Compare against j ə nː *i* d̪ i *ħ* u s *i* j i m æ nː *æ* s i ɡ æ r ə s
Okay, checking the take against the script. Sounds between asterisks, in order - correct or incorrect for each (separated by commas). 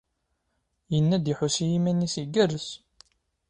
incorrect, correct, correct, incorrect